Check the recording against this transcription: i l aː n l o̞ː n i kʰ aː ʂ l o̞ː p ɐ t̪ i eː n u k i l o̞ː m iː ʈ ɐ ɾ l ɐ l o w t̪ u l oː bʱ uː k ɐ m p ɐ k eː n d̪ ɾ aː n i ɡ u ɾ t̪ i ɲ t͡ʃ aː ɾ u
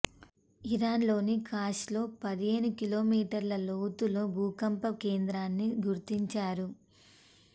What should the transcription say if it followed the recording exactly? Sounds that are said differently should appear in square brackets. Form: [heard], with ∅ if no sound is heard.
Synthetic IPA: i [ɾ] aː n l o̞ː n i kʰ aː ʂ l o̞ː p ɐ [d̪] i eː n u k i l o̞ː m iː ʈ ɐ ɾ l ɐ l o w t̪ u l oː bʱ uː k ɐ m p ɐ k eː n d̪ ɾ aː [nː] i ɡ u ɾ t̪ i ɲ t͡ʃ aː ɾ u